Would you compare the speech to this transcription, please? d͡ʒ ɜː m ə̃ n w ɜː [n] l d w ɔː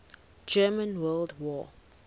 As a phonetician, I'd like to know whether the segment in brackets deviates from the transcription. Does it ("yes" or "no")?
yes